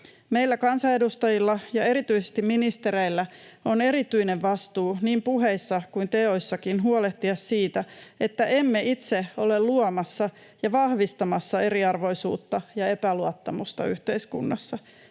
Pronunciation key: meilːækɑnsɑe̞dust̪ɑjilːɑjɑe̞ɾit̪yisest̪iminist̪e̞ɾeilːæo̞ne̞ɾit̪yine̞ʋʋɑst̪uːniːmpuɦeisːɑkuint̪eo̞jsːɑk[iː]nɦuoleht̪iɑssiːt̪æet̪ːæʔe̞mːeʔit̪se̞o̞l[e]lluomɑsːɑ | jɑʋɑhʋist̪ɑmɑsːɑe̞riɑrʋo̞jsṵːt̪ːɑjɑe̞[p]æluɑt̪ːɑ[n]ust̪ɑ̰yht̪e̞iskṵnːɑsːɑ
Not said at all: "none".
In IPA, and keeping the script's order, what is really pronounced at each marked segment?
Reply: i, e, p, m

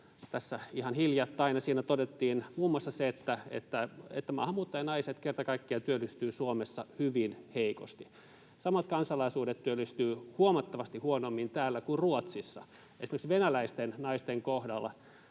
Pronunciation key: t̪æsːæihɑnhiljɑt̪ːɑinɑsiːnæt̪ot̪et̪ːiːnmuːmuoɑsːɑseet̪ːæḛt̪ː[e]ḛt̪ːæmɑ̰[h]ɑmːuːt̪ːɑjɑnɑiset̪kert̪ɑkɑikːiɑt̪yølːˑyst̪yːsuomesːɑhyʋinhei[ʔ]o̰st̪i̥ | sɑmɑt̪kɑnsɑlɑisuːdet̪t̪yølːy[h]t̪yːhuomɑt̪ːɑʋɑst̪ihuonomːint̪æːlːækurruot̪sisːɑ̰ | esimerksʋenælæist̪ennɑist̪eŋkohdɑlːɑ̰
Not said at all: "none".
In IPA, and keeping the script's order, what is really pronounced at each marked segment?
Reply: æ, h, k, s

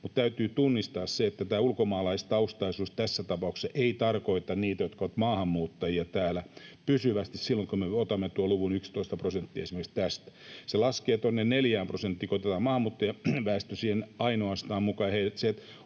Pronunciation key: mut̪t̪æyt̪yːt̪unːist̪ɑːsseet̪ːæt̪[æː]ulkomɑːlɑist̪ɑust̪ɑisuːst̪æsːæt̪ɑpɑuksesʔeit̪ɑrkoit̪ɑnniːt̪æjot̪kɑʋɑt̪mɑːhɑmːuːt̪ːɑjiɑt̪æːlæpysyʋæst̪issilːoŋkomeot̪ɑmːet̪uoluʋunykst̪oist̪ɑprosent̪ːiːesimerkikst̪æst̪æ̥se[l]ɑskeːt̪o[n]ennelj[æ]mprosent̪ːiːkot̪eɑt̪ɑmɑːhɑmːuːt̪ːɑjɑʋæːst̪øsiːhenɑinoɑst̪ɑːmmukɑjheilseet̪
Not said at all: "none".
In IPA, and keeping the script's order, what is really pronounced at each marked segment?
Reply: æː, l, nː, æː

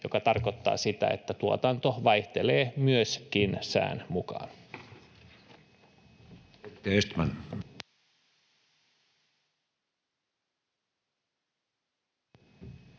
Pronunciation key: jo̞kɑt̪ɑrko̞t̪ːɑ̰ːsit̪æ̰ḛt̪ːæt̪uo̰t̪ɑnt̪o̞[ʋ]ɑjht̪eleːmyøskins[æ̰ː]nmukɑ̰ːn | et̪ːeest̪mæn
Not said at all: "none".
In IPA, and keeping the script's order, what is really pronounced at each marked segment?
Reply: ʋ, æ̰ː

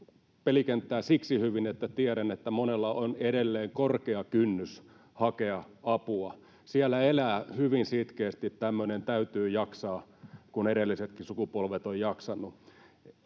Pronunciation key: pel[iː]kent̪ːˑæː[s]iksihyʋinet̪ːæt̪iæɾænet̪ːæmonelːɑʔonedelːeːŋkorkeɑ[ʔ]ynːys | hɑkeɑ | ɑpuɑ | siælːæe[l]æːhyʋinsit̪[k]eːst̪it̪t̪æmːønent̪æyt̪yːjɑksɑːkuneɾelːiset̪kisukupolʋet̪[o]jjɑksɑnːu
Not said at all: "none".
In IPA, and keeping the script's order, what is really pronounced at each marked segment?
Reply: i, s, k, l, k, o

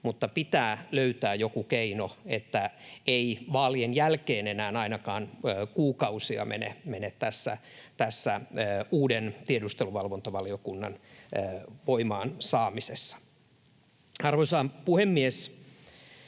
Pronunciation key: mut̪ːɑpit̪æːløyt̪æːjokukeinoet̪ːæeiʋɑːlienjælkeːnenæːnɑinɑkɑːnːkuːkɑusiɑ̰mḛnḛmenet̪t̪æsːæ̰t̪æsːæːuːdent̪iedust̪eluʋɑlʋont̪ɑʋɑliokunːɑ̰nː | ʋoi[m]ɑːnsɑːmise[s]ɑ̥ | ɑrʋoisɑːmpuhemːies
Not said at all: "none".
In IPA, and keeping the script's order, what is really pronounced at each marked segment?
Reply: m, sː

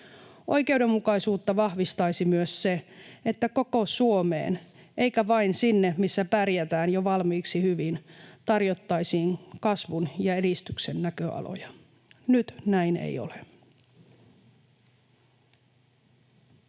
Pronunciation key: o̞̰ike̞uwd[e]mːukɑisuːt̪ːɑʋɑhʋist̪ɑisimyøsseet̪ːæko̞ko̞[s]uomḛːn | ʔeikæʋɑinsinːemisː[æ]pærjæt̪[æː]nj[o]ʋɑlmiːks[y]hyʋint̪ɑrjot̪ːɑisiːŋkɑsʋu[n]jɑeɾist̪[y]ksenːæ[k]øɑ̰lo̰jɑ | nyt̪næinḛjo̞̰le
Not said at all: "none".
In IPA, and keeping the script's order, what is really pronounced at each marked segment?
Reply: e, s, æ, æː, o, i, n, y, k

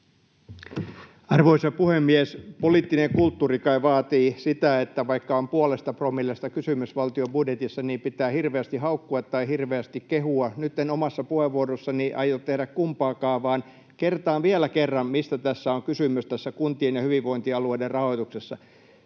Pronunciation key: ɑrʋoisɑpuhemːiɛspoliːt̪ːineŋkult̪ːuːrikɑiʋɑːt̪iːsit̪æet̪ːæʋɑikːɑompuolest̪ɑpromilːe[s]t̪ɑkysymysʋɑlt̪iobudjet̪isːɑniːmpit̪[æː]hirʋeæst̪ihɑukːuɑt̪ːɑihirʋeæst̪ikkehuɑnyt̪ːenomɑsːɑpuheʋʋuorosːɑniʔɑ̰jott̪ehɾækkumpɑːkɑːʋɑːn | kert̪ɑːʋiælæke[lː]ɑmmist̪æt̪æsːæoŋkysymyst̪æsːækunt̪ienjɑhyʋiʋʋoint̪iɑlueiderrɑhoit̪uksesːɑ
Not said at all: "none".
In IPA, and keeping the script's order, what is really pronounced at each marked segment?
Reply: s, æː, rː

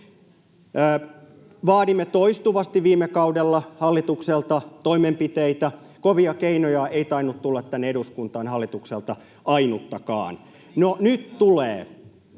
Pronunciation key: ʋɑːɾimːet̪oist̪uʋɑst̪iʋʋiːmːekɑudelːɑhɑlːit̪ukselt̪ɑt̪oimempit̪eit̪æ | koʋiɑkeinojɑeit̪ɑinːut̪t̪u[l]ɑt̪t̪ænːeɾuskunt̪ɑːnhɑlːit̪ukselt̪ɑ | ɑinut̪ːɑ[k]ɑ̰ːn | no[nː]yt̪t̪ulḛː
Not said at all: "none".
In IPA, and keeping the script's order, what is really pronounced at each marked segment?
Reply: lː, k, n

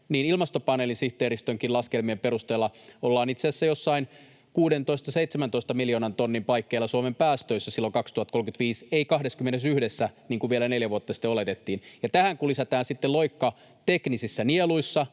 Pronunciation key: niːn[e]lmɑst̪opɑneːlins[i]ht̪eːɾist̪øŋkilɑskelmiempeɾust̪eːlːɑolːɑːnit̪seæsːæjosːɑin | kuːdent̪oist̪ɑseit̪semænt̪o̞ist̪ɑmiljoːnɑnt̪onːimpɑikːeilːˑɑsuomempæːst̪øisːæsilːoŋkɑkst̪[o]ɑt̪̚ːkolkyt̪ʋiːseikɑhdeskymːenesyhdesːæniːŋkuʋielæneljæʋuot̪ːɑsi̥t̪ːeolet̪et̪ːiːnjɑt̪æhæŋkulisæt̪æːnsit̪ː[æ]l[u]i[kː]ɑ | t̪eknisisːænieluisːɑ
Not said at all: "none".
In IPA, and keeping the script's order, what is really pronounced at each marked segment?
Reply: i, i, u, e, o, kː

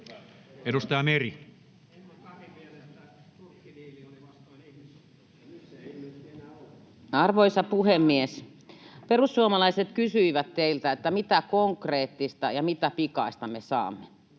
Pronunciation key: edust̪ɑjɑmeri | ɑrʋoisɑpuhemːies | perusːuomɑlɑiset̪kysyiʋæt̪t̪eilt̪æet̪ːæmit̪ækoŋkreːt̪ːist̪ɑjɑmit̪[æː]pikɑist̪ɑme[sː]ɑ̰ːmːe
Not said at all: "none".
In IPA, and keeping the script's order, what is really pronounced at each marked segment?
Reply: æ, s

